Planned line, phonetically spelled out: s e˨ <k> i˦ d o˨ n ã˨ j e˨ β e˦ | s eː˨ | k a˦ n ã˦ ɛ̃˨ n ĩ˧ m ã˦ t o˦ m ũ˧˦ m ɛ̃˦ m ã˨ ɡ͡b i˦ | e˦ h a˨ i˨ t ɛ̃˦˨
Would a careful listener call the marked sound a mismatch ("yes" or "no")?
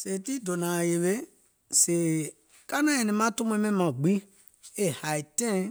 yes